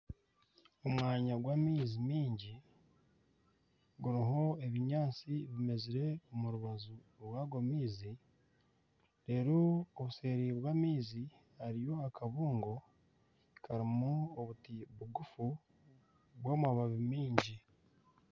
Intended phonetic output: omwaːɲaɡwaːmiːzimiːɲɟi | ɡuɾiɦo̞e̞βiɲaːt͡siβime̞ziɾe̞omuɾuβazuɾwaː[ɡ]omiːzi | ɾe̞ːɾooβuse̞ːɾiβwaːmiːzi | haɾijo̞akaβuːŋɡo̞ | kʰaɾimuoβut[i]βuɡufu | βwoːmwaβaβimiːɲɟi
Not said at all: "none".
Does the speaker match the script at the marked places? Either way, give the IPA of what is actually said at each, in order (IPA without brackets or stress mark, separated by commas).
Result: ɡ, i